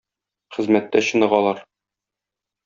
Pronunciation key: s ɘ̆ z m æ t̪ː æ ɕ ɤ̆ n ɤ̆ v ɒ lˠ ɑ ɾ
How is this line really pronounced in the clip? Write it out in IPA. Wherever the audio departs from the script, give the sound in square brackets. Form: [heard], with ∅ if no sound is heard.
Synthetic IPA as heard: [χ] ɘ̆ z m æ t̪ː æ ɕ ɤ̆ n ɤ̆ [ʁ] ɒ lˠ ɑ ɾ